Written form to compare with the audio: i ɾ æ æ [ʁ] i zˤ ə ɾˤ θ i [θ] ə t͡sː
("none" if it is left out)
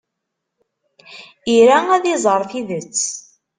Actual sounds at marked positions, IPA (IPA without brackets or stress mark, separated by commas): ð, ð